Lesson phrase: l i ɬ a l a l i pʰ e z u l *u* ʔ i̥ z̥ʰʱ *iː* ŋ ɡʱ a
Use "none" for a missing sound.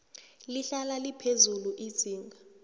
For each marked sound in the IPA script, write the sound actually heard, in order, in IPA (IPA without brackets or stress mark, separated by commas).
u, iː